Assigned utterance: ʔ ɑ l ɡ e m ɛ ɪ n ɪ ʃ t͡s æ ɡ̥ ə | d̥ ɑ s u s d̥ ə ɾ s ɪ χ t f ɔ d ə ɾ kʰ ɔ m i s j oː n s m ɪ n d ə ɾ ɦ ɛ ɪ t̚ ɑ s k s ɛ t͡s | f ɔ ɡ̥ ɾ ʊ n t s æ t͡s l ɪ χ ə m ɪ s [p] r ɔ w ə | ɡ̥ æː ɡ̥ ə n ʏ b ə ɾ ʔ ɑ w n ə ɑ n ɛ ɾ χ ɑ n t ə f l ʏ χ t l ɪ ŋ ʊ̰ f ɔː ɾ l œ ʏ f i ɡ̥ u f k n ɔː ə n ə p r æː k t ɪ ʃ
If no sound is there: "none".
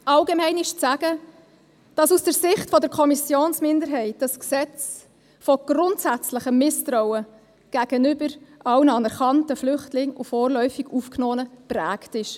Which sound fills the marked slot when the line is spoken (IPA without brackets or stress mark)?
t